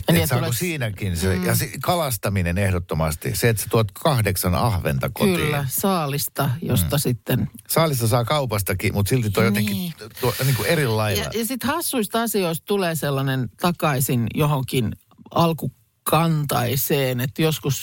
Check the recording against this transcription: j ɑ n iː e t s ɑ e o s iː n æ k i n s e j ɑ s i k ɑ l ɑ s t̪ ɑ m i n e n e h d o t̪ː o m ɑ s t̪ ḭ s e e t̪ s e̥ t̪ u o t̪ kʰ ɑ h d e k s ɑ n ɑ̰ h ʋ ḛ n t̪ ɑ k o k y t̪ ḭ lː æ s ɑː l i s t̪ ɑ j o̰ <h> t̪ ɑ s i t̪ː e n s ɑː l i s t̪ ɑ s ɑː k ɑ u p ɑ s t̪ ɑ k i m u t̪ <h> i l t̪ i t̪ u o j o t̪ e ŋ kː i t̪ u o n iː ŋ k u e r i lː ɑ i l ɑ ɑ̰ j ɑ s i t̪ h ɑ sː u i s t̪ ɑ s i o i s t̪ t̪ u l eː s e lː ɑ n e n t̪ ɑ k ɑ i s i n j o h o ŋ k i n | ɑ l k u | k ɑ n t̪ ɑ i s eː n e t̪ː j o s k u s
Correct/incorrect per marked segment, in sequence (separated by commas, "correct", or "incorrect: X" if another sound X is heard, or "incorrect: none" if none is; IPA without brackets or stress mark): incorrect: s, incorrect: s